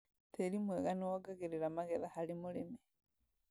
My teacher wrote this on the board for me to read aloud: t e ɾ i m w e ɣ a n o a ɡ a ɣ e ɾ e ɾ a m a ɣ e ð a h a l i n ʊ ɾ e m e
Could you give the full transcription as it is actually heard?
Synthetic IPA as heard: t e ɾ i m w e ɣ a n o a ɡ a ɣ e ɾ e ɾ a m a ɣ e ð a h a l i m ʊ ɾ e m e